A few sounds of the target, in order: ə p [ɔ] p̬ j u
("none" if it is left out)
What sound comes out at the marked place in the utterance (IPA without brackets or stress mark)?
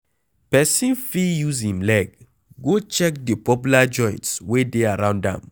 ɔ